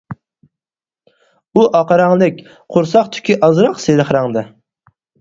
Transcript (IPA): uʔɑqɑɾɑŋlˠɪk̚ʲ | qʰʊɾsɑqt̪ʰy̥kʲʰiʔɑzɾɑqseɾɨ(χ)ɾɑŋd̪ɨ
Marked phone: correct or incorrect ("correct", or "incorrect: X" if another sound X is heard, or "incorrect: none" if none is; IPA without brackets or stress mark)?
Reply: correct